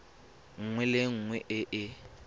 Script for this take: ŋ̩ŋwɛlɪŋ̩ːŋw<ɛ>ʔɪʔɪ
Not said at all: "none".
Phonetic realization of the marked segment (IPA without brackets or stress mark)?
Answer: ɛ